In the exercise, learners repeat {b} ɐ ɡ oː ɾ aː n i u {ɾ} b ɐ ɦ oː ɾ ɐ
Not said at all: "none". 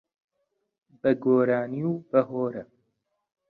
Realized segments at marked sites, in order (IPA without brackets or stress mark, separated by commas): b, none